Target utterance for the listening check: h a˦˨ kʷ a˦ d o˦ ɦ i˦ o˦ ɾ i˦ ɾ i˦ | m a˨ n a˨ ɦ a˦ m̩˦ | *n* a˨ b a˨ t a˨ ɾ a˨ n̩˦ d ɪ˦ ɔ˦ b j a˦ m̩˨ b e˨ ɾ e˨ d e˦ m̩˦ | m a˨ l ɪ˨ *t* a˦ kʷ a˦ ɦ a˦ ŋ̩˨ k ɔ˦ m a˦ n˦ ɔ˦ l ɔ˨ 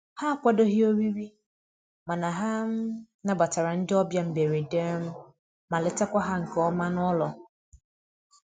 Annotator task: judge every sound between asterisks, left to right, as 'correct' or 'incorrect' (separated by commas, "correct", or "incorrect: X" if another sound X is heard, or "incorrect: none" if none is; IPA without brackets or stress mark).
correct, correct